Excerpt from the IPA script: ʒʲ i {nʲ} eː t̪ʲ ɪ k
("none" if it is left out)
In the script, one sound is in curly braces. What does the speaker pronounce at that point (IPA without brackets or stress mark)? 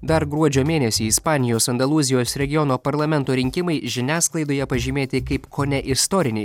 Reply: mʲ